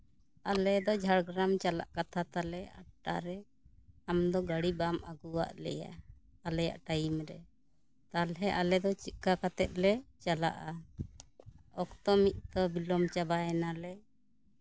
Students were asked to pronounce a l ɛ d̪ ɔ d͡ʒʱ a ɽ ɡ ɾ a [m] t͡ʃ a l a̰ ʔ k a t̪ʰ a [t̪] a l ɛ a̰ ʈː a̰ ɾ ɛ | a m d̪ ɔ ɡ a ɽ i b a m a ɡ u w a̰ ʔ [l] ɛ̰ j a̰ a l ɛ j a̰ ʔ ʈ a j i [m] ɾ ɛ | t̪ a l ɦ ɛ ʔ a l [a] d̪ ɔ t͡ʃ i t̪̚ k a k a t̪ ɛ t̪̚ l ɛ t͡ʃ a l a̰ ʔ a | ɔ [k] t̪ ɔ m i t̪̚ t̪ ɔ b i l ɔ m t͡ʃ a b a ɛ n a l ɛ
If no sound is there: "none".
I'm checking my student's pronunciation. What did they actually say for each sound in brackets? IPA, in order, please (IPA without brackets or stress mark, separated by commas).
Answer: m, t̪, l, m, ɛ, k